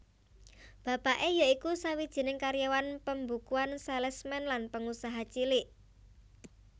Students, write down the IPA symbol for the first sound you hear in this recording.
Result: b̥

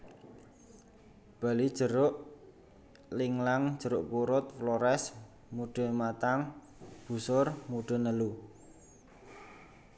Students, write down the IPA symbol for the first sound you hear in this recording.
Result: b̥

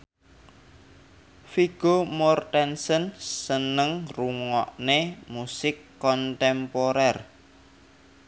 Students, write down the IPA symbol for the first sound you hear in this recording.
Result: f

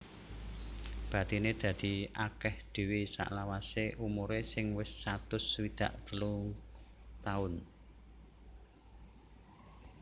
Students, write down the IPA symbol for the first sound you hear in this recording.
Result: b̥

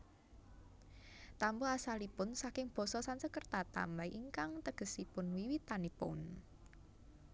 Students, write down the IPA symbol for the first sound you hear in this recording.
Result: t̪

